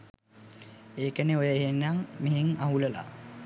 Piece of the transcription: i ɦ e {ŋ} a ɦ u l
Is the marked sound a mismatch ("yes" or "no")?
no